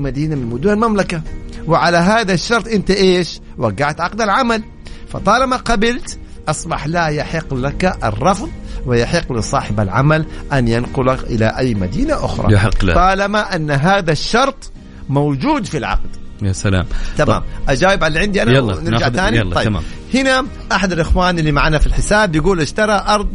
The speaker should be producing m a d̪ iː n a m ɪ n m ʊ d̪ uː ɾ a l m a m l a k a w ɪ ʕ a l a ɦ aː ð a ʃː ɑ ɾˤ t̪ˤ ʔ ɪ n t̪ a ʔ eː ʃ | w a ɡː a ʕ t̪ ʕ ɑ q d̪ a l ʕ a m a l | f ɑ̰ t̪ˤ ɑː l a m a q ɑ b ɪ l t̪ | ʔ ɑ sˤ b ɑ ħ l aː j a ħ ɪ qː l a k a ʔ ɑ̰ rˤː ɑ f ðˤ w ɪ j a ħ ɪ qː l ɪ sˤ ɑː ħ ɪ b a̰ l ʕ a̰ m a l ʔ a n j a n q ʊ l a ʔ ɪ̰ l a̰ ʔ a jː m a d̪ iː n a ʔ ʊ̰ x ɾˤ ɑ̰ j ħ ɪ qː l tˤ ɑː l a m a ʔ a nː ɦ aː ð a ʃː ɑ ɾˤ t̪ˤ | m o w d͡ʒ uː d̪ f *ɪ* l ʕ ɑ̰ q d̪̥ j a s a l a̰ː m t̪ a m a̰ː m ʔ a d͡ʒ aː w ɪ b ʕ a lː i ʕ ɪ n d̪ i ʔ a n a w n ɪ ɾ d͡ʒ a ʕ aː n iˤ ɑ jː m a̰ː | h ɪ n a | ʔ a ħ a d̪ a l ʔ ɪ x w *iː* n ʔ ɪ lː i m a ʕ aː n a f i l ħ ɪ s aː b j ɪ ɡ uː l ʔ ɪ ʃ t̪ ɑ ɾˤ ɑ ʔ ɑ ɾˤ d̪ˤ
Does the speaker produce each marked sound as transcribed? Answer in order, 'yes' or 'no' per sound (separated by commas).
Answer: no, no